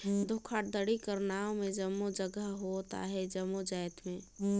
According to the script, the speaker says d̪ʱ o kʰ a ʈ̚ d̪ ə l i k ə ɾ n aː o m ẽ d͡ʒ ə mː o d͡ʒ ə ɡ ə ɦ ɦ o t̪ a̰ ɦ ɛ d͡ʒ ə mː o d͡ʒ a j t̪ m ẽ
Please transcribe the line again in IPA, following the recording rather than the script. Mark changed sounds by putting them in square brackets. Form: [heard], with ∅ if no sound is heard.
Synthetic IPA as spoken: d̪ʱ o kʰ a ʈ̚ d̪ ə [ɽ] i k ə ɾ n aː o m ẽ d͡ʒ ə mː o d͡ʒ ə ɡ ə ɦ ɦ o t̪ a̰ ɦ ɛ d͡ʒ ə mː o d͡ʒ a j t̪ m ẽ